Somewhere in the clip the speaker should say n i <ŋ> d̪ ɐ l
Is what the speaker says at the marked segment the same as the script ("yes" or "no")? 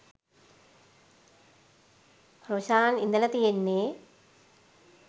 no